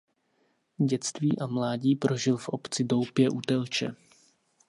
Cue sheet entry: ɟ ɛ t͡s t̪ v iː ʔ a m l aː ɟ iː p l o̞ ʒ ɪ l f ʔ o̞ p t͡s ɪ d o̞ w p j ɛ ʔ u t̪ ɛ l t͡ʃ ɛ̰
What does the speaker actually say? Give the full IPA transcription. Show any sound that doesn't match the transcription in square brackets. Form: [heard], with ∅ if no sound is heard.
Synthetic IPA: ɟ ɛ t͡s t̪ v iː ʔ a m l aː ɟ iː p [ɾ] o̞ ʒ ɪ l f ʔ o̞ p t͡s ɪ d o̞ w p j ɛ ʔ u t̪ ɛ l t͡ʃ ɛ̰